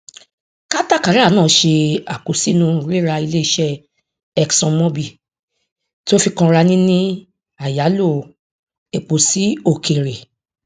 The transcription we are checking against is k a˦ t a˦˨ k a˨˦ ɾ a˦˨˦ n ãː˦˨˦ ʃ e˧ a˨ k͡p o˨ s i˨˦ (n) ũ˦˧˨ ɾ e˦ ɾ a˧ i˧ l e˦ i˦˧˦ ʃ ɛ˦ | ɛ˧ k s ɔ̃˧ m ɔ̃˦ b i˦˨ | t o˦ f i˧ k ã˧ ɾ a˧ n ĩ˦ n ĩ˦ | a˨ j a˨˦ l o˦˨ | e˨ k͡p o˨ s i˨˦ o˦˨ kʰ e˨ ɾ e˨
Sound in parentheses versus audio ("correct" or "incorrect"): correct